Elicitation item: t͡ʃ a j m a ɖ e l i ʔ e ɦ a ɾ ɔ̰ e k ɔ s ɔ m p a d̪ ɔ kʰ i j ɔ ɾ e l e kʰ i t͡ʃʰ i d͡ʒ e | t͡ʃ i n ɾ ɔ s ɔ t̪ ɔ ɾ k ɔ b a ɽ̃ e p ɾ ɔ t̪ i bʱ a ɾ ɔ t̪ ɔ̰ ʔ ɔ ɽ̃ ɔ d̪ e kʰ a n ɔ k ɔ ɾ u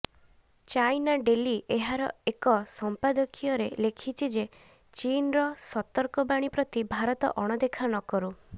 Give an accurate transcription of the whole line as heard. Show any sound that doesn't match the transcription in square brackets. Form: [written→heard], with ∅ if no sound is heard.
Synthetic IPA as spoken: t͡ʃ a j [m→n] a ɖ e l i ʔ e ɦ a ɾ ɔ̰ e k ɔ s ɔ m p a d̪ ɔ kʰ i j ɔ ɾ e l e kʰ i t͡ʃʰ i d͡ʒ e | t͡ʃ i n ɾ ɔ s ɔ t̪ ɔ ɾ k ɔ b a ɽ̃ [e→i] p ɾ ɔ t̪ i bʱ a ɾ ɔ t̪ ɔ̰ ʔ ɔ ɽ̃ ɔ d̪ e kʰ a n ɔ k ɔ ɾ u